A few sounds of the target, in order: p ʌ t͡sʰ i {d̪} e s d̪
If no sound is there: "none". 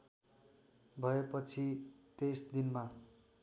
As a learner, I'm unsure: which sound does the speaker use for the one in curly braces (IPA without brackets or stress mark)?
t̪